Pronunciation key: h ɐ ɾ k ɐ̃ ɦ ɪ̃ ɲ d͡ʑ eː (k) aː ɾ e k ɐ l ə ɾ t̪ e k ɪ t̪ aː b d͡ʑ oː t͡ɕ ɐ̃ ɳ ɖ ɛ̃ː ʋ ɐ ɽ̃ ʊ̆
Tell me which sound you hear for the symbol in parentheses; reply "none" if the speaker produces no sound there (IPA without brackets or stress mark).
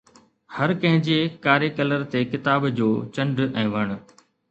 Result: k